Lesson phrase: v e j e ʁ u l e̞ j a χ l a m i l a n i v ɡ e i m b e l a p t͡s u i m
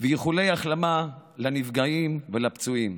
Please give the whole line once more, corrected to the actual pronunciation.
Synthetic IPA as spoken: v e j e χ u l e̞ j a χ l a m a l a n i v ɡ a i m v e l a p t͡s u i m